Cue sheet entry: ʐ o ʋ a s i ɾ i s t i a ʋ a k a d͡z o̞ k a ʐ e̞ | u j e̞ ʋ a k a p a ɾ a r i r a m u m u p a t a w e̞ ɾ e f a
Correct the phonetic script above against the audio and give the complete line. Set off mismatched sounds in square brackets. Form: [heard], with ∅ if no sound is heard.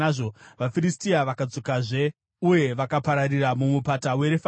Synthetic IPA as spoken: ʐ o ʋ a [f] i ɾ i s t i a ʋ a k a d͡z o̞ k a ʐ e̞ | u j e̞ ʋ a k a p a ɾ a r i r a m u m u p a t a w e̞ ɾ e f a